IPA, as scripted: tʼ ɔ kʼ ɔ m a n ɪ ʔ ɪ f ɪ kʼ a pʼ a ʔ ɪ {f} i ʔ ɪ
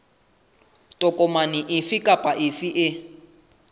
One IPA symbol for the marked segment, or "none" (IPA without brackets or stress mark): f